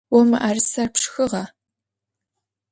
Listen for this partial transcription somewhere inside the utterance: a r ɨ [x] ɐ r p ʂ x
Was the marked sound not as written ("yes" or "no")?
yes